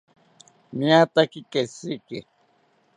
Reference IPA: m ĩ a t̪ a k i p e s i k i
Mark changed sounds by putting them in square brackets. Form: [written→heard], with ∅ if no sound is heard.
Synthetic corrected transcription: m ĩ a t̪ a k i [p→k] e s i k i